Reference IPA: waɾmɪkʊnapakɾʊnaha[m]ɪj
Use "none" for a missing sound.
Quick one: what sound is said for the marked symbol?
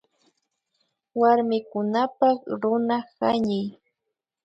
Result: ɲ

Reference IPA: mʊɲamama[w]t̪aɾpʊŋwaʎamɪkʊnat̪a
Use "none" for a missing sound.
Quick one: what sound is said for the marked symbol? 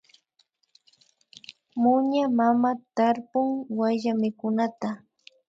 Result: none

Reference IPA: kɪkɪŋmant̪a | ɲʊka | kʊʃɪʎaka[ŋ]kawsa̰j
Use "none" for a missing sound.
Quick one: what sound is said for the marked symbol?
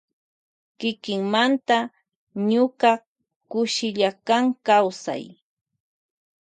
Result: ŋ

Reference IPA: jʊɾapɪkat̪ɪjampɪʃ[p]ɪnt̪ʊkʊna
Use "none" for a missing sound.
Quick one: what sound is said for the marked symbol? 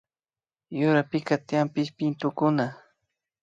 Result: p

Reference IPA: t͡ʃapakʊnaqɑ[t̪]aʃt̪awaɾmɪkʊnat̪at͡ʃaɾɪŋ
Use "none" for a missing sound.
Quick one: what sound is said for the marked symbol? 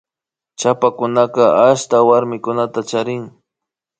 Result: none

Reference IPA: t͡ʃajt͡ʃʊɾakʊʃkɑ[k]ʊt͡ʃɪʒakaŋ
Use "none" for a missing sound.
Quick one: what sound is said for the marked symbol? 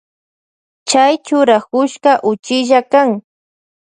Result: ʔ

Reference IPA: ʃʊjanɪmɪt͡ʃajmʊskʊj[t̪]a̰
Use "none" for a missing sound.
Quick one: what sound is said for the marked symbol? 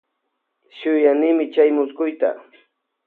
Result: t̪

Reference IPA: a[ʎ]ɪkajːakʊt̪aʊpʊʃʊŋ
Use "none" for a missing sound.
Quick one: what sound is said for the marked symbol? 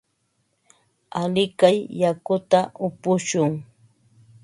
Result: l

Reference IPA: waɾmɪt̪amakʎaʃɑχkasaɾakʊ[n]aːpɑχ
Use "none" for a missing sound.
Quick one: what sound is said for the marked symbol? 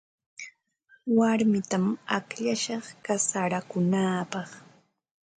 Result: n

